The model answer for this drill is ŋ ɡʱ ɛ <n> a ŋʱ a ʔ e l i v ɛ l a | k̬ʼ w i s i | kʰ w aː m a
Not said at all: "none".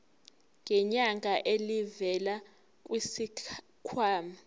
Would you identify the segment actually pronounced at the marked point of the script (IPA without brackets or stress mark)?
ɲ